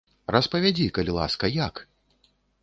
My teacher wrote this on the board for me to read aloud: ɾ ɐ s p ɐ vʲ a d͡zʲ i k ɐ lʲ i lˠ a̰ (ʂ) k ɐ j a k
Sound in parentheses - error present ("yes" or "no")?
yes